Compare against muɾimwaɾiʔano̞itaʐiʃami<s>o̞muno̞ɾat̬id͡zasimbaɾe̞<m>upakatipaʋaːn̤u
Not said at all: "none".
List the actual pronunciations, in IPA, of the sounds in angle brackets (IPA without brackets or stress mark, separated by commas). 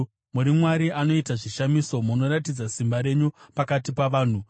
s, ɲ